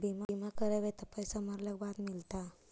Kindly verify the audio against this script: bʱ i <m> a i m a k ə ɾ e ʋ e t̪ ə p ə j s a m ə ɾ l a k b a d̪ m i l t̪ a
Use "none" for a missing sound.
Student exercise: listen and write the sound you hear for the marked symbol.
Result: m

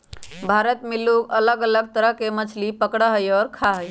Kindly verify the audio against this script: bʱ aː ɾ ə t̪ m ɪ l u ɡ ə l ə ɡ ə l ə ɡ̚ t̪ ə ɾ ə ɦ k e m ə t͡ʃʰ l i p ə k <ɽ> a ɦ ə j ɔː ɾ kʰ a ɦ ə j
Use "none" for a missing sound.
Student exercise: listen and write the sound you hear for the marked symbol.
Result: ɽ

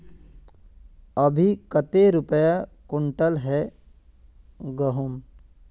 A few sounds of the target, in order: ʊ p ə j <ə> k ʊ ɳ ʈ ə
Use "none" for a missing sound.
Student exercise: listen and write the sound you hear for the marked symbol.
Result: a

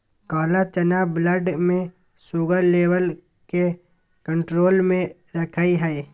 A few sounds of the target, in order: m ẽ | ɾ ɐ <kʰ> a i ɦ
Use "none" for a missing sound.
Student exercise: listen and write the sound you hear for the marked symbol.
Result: kʰ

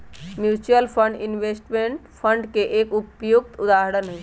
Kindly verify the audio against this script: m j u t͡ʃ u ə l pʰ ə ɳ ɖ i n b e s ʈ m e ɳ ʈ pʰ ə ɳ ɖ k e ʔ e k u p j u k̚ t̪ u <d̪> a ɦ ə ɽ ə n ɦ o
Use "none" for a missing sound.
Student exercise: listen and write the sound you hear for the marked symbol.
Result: d̪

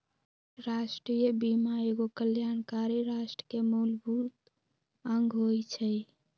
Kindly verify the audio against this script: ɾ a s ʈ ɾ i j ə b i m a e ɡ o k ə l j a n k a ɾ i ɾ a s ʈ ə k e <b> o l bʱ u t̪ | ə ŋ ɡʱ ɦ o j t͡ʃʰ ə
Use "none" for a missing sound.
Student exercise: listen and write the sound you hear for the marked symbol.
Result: m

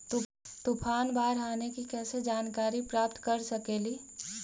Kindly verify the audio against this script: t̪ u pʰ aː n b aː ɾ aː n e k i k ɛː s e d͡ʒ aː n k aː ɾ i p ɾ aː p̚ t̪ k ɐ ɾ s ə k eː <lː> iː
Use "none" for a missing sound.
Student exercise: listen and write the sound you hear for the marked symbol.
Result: l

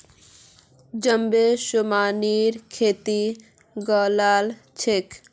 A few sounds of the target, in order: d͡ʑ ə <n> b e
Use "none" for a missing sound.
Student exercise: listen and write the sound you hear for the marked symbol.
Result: m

